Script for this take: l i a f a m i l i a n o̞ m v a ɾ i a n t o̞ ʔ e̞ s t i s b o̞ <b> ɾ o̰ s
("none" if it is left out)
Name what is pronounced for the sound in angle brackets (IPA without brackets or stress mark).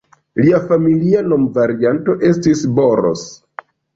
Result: none